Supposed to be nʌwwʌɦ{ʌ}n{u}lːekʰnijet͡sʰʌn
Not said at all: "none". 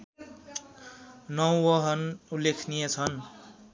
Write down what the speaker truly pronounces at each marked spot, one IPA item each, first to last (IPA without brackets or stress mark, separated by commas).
ʌ, u